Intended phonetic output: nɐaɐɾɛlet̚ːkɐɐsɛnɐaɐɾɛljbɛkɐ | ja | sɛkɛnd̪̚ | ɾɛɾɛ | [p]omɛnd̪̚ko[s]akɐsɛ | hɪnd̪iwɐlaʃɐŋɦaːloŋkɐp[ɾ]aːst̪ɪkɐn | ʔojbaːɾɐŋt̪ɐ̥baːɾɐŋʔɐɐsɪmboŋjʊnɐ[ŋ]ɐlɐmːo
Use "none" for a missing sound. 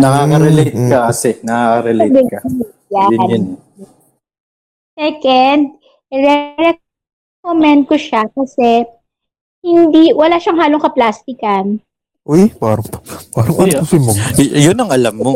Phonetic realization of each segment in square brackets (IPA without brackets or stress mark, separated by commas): k, ʃ, l, ŋ